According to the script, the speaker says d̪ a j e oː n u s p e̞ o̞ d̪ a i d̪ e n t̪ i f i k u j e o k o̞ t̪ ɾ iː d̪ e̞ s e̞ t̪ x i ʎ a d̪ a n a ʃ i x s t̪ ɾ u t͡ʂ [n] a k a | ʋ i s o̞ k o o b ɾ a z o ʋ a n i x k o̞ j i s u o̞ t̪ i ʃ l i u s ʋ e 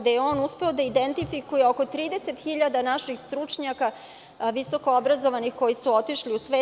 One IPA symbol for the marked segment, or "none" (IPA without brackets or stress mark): ɲ